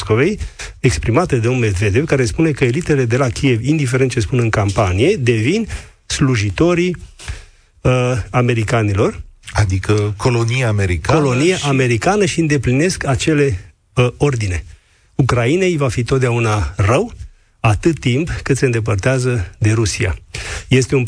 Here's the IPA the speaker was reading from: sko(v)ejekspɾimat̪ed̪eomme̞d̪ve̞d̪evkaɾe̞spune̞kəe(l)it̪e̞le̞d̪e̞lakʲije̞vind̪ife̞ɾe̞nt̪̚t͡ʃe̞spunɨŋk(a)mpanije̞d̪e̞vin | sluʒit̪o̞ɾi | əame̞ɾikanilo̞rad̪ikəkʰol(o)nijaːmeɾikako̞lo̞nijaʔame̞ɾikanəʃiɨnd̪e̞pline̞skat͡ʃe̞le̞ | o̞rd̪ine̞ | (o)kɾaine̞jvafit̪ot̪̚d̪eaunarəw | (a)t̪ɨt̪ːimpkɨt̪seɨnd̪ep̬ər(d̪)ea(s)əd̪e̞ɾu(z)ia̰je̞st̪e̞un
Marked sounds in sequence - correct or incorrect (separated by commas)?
correct, correct, correct, correct, incorrect, correct, incorrect, incorrect, incorrect